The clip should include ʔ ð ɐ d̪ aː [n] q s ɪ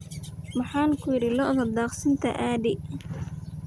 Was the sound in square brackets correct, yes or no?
no